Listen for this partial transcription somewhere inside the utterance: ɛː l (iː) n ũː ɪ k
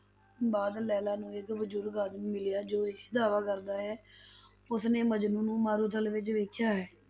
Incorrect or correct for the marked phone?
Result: incorrect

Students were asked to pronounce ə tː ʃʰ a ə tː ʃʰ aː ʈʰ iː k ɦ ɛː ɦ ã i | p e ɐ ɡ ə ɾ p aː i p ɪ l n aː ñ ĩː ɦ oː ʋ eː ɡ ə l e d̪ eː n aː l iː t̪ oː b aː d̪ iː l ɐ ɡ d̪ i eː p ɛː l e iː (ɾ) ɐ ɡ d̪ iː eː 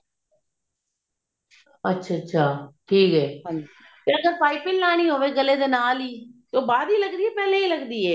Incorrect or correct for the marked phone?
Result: incorrect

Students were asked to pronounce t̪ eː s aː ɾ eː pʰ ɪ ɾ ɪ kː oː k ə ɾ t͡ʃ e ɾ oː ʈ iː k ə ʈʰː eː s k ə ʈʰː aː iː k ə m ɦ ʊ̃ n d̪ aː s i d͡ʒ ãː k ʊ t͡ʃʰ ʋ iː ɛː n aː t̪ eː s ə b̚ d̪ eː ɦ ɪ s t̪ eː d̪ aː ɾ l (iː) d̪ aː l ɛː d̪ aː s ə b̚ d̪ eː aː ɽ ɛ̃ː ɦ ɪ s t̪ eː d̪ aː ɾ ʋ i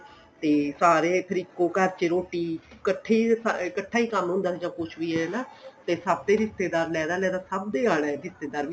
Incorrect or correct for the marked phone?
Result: incorrect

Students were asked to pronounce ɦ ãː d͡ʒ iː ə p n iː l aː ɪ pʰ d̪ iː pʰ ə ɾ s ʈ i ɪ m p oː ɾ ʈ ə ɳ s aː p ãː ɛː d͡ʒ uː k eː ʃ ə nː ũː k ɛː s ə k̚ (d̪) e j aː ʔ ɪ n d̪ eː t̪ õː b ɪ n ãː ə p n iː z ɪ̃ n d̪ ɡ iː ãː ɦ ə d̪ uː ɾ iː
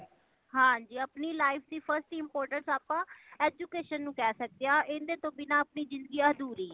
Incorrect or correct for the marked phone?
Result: correct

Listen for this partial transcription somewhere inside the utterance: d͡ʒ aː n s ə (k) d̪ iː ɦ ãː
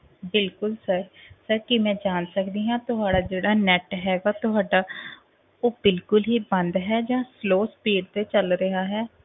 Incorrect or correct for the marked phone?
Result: correct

